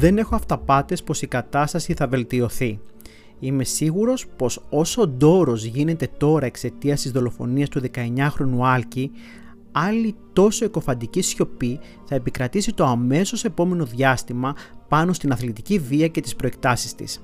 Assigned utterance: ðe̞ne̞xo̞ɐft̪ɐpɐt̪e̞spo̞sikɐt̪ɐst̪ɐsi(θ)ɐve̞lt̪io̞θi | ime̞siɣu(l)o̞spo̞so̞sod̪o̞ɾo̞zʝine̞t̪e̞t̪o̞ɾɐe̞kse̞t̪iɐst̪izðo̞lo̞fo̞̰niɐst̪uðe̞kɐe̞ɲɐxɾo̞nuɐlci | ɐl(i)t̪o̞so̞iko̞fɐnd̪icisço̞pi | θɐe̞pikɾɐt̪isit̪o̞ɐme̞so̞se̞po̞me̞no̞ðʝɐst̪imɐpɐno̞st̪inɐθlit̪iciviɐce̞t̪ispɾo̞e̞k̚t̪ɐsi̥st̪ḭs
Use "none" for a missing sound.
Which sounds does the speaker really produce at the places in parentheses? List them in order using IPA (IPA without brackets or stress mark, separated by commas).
θ, ɾ, i